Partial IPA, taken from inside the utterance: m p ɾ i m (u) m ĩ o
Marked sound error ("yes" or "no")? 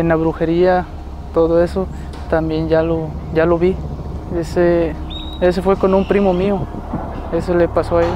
yes